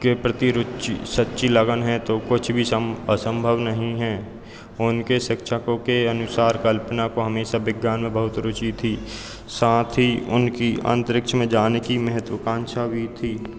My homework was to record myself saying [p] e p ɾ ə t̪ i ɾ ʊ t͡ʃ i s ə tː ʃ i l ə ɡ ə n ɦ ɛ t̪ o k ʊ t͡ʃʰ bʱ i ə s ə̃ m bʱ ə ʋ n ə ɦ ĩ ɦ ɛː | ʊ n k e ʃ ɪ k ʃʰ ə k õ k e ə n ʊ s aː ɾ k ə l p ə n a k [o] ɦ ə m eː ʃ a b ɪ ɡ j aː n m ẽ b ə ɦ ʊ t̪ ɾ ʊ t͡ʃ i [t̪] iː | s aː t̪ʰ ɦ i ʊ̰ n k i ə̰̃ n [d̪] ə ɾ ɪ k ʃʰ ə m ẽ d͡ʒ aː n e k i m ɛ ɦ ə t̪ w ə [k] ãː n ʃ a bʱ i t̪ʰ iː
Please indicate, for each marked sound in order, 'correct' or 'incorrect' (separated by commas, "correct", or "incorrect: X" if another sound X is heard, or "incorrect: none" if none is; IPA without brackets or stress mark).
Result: incorrect: k, correct, incorrect: t̪ʰ, incorrect: t̪, correct